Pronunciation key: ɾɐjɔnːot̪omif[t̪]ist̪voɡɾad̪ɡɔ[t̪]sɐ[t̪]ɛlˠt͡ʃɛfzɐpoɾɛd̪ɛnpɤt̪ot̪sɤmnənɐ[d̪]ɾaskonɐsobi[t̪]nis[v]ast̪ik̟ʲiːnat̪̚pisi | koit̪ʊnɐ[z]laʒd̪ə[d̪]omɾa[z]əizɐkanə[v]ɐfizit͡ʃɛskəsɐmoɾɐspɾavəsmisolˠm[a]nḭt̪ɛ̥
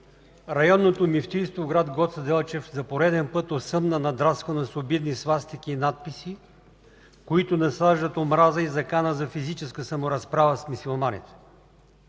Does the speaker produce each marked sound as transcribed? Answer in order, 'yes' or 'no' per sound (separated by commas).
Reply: yes, yes, no, yes, no, yes, no, no, yes, no, yes